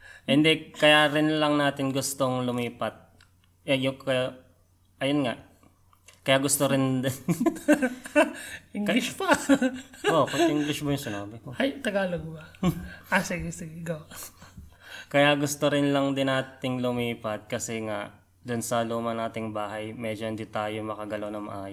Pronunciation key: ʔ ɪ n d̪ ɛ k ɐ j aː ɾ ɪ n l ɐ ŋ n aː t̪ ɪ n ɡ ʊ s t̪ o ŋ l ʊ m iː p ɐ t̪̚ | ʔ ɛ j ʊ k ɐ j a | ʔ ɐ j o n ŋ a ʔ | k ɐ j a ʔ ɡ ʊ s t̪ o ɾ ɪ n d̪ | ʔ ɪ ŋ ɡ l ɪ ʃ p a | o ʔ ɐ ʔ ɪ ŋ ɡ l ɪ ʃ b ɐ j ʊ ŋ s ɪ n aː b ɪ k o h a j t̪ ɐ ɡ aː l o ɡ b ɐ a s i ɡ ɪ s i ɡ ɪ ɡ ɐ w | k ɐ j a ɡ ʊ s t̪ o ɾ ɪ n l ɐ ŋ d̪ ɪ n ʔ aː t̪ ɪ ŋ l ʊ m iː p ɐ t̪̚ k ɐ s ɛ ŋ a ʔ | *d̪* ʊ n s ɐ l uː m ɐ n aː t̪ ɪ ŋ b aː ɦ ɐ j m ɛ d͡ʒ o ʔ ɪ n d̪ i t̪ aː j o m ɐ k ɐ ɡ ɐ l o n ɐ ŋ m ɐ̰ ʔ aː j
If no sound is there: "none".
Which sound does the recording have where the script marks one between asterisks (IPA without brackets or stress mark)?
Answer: d̪